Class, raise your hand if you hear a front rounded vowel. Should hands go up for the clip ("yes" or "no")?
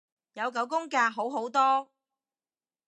no